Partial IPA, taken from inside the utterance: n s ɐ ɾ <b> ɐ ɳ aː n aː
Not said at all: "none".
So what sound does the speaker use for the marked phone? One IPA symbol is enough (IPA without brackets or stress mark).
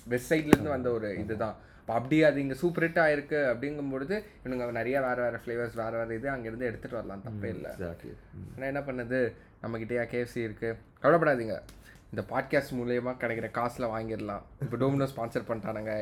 p